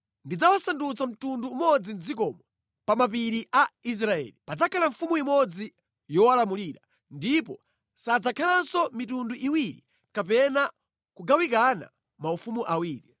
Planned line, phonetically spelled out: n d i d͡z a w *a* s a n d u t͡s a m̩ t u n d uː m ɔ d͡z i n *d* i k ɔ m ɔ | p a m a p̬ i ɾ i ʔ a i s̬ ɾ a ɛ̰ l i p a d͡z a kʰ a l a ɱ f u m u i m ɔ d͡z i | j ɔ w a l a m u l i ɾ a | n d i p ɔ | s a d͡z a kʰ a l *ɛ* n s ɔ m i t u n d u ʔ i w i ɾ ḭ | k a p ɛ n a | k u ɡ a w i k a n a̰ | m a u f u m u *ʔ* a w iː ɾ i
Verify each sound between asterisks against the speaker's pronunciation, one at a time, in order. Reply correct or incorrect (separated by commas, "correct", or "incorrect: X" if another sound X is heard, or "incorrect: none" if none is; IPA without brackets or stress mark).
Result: correct, incorrect: d͡z, incorrect: a, correct